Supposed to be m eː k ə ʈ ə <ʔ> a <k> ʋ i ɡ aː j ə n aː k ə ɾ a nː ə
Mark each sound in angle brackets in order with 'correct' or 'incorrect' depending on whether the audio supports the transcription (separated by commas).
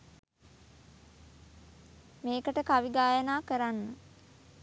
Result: incorrect, incorrect